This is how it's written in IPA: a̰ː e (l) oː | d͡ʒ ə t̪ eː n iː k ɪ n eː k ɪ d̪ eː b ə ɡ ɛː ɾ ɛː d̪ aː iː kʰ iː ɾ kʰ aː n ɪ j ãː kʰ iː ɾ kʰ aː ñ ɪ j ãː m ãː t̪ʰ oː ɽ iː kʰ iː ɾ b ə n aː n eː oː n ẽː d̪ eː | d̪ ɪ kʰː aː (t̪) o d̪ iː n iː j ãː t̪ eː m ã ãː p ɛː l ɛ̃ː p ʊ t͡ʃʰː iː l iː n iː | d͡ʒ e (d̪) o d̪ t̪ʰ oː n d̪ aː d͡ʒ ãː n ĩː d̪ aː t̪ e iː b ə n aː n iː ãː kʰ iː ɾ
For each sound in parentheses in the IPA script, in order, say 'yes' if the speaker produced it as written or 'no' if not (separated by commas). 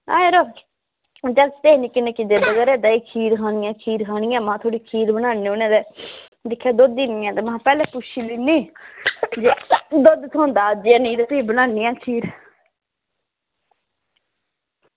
no, no, yes